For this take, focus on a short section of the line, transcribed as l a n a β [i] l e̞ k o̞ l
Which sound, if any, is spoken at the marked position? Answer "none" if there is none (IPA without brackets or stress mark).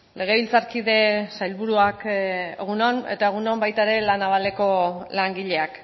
a